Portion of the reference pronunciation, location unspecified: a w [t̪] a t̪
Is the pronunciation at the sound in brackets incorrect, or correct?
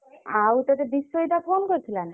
correct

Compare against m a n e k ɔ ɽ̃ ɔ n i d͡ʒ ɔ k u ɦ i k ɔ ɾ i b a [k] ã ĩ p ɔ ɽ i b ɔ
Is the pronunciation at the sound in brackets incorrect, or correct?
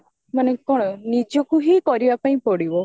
incorrect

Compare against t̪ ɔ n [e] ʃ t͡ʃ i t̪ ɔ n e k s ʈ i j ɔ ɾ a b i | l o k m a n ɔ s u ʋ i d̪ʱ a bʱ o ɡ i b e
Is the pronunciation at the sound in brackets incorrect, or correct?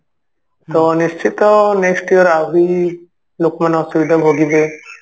incorrect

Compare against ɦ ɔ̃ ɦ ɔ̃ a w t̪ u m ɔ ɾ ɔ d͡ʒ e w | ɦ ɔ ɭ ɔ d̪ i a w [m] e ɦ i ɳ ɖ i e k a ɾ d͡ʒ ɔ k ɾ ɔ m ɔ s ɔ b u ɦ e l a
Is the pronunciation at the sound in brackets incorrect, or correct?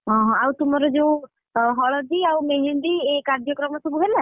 correct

